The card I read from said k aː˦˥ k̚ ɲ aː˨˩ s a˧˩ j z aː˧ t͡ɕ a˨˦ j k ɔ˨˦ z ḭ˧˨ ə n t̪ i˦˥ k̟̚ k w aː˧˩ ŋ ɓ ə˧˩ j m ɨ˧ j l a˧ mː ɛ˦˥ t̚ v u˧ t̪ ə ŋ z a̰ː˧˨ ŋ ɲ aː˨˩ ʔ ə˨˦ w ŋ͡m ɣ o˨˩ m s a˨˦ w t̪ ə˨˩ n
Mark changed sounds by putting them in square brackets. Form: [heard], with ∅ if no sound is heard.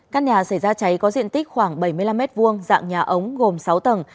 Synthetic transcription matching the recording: k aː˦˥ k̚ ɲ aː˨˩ s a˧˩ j z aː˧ t͡ɕ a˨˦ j k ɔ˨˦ z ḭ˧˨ ə n t̪ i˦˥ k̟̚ [x] w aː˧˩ ŋ ɓ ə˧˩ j m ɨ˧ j l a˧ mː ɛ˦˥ t̚ v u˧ [∅] ə ŋ z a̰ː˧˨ ŋ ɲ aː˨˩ ʔ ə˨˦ w ŋ͡m ɣ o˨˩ m s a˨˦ w t̪ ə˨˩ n